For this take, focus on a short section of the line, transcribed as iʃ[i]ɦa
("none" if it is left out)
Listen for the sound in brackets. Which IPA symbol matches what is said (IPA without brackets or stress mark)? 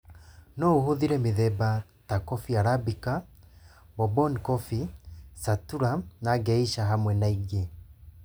a